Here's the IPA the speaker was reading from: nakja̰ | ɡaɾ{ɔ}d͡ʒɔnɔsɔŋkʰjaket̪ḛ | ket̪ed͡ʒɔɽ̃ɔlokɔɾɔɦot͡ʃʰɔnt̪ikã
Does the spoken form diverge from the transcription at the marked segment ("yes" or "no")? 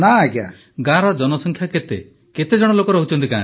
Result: no